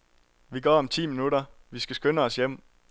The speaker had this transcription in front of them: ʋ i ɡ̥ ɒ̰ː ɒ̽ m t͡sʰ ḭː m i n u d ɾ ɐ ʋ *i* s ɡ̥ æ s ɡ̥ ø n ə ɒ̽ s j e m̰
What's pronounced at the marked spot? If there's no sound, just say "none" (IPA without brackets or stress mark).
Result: i